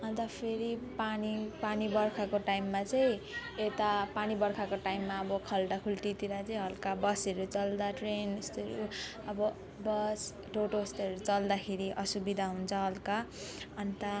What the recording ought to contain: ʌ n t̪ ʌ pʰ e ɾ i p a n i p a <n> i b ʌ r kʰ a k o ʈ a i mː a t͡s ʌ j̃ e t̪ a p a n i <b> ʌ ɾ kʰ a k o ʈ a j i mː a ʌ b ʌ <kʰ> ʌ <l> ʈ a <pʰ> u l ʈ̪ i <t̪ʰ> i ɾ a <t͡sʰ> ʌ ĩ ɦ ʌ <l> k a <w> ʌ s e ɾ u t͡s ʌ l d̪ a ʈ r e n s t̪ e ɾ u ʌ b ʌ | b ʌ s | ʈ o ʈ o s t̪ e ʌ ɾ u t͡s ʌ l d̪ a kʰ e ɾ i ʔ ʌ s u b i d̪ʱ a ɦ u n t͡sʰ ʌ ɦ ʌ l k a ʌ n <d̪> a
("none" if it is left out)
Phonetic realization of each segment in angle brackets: n, b, kʰ, l, kʰ, t̪, t͡s, l, b, t̪

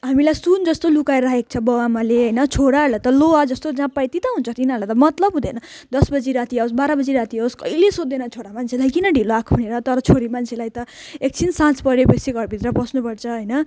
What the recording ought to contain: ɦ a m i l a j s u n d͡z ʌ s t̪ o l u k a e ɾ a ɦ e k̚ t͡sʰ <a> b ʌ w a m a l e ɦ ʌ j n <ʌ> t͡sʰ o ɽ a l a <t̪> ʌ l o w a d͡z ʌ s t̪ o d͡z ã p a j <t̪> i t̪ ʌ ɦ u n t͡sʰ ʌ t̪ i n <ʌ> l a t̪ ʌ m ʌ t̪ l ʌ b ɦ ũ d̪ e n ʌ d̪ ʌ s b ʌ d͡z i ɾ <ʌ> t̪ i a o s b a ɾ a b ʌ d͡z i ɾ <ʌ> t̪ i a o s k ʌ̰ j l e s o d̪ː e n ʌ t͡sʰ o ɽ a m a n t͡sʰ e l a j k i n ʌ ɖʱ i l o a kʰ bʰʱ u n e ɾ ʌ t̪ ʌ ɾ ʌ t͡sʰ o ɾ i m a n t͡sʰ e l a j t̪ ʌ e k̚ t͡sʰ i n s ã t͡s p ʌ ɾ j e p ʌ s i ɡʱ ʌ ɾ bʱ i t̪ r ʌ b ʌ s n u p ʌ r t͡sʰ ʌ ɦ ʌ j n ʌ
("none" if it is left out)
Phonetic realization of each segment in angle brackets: ʌ, ʌ, t̪, t̪, a, a, a

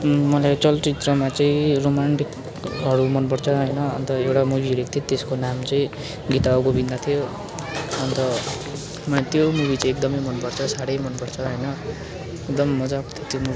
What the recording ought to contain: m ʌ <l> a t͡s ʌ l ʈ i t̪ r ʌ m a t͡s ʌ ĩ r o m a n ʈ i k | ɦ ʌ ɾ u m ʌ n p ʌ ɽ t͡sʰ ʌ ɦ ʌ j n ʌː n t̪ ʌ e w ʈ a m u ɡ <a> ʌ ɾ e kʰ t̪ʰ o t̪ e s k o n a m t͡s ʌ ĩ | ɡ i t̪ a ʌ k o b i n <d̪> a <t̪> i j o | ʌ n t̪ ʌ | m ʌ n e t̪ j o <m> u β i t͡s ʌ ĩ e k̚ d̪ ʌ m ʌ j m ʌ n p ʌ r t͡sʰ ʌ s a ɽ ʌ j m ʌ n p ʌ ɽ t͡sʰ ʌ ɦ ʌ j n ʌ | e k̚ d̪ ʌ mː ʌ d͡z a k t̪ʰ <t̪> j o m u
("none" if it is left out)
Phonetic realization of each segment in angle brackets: l, i, d̪, t̪ʰ, m, t̪

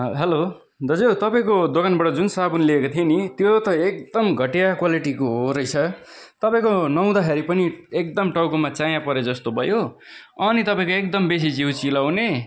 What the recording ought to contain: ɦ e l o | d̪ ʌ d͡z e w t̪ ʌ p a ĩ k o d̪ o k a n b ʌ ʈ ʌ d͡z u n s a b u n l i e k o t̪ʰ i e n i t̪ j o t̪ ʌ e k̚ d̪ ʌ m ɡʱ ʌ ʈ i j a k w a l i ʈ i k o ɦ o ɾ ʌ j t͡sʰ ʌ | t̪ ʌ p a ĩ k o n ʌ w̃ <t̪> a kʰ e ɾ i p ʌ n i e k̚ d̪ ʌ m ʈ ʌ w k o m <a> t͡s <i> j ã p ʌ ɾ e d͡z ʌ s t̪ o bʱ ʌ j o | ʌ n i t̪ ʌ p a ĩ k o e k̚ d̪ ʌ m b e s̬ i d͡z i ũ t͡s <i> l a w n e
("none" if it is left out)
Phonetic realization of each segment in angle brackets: d̪, a, a, i

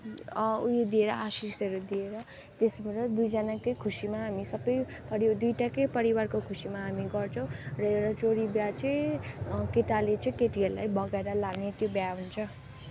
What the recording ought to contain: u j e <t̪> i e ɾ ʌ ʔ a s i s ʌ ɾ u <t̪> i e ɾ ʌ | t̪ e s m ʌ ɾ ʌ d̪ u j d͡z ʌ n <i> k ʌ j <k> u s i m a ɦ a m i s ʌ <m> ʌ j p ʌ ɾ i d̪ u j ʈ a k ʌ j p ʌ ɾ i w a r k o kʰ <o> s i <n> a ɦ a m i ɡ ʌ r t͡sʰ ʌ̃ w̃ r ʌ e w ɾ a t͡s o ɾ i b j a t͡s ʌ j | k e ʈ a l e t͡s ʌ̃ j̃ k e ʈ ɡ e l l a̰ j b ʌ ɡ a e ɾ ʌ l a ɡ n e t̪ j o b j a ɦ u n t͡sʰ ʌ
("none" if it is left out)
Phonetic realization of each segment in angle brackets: d̪, d̪, a, kʰ, b, u, m

